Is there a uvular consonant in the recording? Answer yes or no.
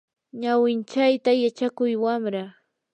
no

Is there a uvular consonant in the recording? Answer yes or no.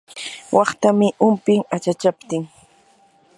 yes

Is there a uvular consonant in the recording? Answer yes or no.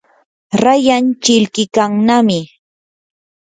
no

